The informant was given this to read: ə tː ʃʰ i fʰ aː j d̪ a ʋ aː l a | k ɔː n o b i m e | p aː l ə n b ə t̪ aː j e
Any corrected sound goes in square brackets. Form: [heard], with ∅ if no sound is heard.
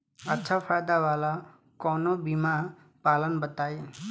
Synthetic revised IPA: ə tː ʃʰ [a] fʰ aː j d̪ a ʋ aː l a | k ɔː n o b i m [a] | p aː l ə n b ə t̪ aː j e